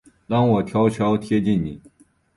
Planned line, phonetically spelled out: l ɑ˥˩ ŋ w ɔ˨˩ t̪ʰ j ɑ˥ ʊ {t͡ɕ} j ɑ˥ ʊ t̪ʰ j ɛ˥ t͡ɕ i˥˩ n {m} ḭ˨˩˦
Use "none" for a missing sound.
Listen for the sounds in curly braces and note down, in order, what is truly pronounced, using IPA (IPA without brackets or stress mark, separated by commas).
t͡ɕʰ, n